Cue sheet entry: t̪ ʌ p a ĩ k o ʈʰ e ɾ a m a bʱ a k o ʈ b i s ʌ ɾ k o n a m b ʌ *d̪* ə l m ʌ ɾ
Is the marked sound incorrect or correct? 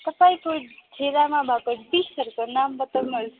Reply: incorrect